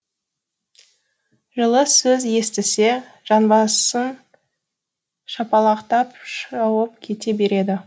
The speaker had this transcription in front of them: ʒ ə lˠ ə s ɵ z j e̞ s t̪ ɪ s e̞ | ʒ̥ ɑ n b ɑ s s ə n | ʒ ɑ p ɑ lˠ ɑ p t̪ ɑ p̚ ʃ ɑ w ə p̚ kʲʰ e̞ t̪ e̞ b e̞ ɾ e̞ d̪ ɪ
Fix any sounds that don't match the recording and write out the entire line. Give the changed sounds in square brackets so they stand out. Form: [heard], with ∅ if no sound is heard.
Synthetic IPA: ʒ ə lˠ ə s ɵ z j e̞ s t̪ ɪ s e̞ | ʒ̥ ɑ n b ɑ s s ə n | [ʃ] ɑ p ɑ lˠ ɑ [q] t̪ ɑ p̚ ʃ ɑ w ə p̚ kʲʰ e̞ t̪ e̞ b e̞ ɾ e̞ d̪ ɪ